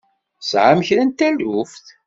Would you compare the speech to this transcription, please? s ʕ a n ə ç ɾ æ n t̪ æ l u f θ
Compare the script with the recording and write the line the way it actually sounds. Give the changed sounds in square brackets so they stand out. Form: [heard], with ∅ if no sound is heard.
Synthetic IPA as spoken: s ʕ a [m] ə ç ɾ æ n t̪ æ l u f θ